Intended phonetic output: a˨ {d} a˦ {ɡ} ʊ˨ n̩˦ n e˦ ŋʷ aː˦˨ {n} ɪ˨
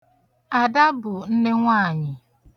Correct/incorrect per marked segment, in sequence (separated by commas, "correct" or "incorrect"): correct, incorrect, incorrect